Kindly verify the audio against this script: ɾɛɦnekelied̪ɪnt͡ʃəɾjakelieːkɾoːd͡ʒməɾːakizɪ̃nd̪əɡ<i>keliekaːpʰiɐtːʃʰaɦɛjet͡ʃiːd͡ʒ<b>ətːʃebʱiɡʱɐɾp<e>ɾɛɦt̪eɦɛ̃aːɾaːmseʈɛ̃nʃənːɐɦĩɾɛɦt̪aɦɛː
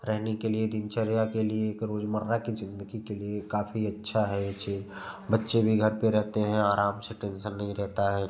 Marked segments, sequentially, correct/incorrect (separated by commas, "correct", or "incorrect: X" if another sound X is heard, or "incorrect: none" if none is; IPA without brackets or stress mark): correct, correct, correct